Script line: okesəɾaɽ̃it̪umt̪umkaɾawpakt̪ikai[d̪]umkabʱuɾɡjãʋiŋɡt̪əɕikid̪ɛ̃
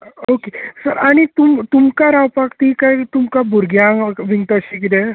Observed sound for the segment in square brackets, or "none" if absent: t̪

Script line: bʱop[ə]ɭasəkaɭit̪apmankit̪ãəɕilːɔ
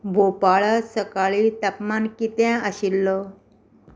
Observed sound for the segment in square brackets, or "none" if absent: a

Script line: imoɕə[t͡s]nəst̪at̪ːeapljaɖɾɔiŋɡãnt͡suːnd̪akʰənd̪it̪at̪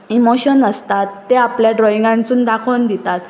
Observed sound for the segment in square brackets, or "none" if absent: none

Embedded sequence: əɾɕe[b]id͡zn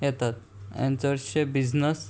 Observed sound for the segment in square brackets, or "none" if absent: b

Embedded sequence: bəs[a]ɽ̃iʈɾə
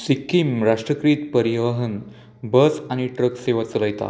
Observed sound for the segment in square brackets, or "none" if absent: a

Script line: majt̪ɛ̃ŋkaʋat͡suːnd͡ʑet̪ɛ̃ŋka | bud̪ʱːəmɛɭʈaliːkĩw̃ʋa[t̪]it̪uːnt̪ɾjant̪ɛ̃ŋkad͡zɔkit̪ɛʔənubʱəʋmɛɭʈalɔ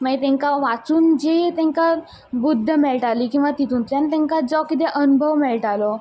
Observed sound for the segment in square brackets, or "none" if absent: t̪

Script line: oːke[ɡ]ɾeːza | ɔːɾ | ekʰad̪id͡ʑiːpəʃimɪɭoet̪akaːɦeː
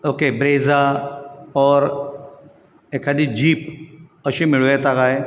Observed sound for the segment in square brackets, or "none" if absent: b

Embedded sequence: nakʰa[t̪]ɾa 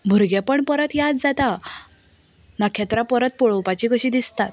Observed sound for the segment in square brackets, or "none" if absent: t̪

